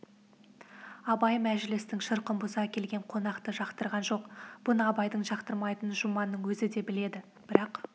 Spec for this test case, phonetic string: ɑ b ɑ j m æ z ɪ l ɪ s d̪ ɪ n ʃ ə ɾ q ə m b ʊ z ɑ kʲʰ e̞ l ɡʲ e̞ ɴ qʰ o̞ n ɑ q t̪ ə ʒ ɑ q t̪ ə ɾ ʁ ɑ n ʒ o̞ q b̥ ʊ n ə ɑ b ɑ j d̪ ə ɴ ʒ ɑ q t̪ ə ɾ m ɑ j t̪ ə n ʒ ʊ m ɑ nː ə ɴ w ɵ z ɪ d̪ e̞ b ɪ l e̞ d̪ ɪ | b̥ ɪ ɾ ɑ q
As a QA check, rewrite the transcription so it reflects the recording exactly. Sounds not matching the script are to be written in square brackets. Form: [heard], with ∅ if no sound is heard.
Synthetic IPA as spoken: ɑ b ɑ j m æ [ʒ] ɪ l ɪ s [t̪] ɪ [ŋ] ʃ ə ɾ q ə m b ʊ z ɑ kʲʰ e̞ l ɡʲ e̞ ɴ qʰ o̞ n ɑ q t̪ ə ʒ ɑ q t̪ ə ɾ ʁ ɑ n ʒ o̞ q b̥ ʊ n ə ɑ b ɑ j d̪ ə ɴ ʒ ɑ q t̪ ə ɾ m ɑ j t̪ ə n ʒ ʊ m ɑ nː ə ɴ w ɵ z ɪ d̪ e̞ b ɪ l e̞ d̪ ɪ | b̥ ɪ ɾ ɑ q

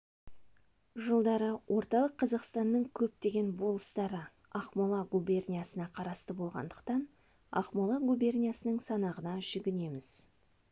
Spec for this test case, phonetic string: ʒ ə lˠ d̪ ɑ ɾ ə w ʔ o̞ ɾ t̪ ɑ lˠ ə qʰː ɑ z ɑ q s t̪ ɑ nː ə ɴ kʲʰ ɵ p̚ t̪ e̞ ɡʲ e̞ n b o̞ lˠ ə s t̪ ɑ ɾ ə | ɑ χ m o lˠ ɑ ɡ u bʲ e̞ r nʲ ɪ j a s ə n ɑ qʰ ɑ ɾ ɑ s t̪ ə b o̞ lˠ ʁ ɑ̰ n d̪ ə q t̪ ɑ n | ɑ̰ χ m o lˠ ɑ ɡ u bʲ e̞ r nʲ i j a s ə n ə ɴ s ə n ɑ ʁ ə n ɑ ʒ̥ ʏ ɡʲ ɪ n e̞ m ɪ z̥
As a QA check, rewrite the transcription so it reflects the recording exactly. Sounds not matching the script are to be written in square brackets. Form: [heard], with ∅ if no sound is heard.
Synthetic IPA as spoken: ʒ ə lˠ d̪ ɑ ɾ ə w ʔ o̞ ɾ t̪ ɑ lˠ ə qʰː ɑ z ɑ q s t̪ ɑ nː ə ɴ kʲʰ ɵ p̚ t̪ e̞ ɡʲ e̞ n b o̞ lˠ ə s t̪ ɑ ɾ ə | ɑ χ m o lˠ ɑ ɡ u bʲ e̞ r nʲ [i] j a s ə n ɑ qʰ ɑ ɾ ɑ s t̪ ə b o̞ lˠ ʁ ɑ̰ n d̪ ə q t̪ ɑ n | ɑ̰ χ m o lˠ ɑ ɡ u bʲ e̞ r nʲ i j a s ə n ə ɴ s [ɑ] n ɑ ʁ ə n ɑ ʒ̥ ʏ ɡʲ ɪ n e̞ m ɪ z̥

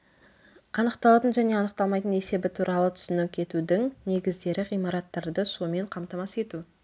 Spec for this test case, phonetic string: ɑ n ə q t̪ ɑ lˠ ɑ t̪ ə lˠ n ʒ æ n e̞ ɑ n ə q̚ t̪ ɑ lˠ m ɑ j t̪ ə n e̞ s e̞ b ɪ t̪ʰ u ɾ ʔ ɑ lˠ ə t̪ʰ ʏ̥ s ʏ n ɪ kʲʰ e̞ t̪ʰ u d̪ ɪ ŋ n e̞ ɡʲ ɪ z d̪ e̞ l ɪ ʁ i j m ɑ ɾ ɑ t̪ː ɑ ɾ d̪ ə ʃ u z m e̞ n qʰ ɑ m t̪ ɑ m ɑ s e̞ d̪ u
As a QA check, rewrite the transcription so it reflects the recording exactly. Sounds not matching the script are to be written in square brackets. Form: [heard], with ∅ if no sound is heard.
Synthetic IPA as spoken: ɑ n ə q t̪ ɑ lˠ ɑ t̪ ə [∅] n ʒ æ n e̞ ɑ n ə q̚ t̪ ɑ lˠ m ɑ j t̪ ə n e̞ s e̞ b ɪ t̪ʰ u ɾ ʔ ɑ lˠ ə t̪ʰ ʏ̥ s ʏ n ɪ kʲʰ e̞ [t̪] u d̪ ɪ ŋ n e̞ ɡʲ ɪ z d̪ e̞ [ɾ] ɪ ʁ i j m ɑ ɾ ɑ t̪ː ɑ ɾ d̪ ə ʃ u [∅] m e̞ [ɴ] qʰ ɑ m t̪ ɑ m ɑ s e̞ [t̪] u

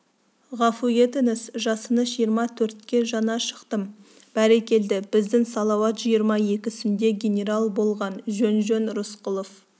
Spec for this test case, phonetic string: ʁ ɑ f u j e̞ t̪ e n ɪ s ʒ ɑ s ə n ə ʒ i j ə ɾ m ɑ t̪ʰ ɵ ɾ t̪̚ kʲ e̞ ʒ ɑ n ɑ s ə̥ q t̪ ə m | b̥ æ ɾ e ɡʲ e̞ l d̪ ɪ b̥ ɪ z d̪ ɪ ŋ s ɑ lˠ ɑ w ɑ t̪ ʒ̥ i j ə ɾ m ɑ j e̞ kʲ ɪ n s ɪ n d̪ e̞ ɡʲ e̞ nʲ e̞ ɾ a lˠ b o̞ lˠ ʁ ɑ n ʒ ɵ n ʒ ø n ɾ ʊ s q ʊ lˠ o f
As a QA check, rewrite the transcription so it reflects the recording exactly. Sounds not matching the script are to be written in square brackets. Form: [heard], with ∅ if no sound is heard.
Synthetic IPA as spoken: ʁ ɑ f u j e̞ t̪ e n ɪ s ʒ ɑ s ə n ə ʒ i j ə ɾ m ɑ t̪ʰ ɵ ɾ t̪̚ kʲ e̞ ʒ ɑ n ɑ [ʃ] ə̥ q t̪ ə m | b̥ æ ɾ e [kʲ] e̞ l d̪ ɪ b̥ ɪ z d̪ ɪ ŋ s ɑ lˠ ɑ w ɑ t̪ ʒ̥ i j ə ɾ m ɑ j e̞ kʲ ɪ [∅] s ɪ n d̪ e̞ ɡʲ e̞ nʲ e̞ ɾ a lˠ b o̞ lˠ ʁ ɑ n ʒ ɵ n ʒ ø n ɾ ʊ s q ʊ lˠ o f

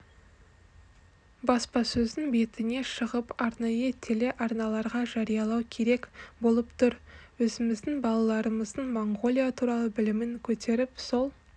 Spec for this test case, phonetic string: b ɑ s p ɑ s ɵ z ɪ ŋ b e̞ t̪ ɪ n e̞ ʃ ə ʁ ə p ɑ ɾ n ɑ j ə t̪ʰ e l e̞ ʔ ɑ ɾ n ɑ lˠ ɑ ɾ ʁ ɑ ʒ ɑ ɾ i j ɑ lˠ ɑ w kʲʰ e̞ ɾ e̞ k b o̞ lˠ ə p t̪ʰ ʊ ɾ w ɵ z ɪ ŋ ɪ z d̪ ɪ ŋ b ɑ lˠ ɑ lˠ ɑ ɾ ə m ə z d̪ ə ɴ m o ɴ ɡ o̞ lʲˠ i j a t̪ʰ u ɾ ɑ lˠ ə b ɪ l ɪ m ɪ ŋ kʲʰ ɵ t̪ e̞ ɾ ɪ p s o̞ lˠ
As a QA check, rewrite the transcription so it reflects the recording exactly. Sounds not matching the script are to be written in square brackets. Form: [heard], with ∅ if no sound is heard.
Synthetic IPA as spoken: b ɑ s p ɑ s ɵ z ɪ ŋ b e̞ t̪ ɪ n e̞ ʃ ə ʁ ə p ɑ ɾ n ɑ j ə t̪ʰ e l e̞ ʔ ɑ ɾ n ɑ lˠ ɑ ɾ ʁ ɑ ʒ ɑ ɾ i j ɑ lˠ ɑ w kʲʰ e̞ ɾ e̞ k b o̞ lˠ ə p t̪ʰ ʊ ɾ w ɵ z ɪ [m] ɪ z d̪ ɪ ŋ b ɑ lˠ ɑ lˠ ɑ ɾ ə m ə z d̪ ə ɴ m o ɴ ɡ o̞ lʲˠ i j a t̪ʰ u ɾ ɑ lˠ ə b ɪ l ɪ m ɪ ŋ kʲʰ ɵ t̪ e̞ ɾ ɪ p s o̞ lˠ

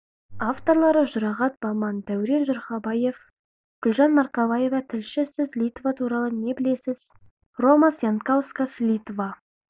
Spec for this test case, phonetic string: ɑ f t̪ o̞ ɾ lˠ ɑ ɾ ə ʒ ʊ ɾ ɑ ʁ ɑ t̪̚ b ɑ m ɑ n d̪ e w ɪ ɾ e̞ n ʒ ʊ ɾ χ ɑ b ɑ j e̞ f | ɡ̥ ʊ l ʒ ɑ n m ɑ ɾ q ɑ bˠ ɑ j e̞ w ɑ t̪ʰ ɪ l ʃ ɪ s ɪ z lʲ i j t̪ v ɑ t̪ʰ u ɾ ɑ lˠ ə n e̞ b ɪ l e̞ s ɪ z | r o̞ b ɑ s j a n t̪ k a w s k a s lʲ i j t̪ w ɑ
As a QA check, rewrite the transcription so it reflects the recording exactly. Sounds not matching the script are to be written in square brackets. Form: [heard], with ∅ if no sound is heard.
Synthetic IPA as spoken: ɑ f t̪ o̞ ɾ lˠ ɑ ɾ ə ʒ ʊ ɾ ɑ ʁ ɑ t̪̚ b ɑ m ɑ n d̪ [æ] w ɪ ɾ e̞ n ʒ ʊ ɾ χ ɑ b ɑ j e̞ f | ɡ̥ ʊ l ʒ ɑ n m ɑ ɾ q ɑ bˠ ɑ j e̞ [v] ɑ t̪ʰ ɪ l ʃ ɪ s ɪ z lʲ i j t̪ v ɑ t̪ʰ u ɾ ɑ lˠ ə n e̞ b ɪ l e̞ s ɪ z | r o̞ [m] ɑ s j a n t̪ k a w s k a s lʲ i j t̪ [v] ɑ

